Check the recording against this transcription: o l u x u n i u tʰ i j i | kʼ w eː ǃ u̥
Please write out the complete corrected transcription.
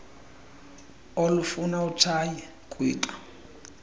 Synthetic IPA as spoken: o l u f u n a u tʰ a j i | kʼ w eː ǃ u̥